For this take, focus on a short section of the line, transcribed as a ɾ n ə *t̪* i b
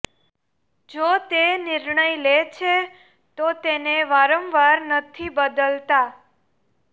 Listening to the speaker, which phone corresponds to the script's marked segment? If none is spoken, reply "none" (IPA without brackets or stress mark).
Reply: t̪ʰ